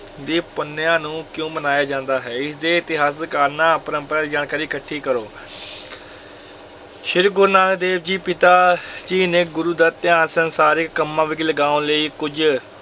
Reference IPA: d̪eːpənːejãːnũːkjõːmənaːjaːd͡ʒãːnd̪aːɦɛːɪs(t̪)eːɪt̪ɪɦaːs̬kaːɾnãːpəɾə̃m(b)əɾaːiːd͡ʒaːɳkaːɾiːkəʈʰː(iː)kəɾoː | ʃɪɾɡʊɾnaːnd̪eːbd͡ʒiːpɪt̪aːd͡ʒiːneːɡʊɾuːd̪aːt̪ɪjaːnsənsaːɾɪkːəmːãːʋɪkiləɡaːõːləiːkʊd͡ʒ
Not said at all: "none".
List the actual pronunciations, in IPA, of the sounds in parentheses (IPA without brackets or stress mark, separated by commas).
d̪, p, iː